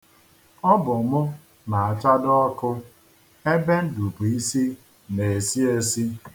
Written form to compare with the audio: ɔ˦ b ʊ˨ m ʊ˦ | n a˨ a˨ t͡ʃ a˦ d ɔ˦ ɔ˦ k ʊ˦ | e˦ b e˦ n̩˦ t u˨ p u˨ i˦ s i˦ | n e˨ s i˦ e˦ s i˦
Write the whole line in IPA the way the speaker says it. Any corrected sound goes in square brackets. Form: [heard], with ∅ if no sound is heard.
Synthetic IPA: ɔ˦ b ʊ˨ m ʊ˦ | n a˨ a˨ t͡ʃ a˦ d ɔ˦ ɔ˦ k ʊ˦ | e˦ b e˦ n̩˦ [d] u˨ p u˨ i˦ s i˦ | n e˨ s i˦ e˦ s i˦